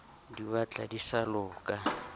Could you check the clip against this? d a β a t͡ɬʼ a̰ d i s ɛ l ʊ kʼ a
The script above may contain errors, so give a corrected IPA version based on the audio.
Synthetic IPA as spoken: d i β a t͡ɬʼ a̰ d i s a l ʊː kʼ a